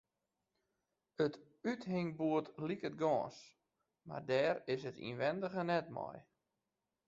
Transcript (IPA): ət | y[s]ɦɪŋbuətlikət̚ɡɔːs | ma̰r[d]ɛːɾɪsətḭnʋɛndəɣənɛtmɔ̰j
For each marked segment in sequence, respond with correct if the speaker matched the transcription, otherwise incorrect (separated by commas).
incorrect, correct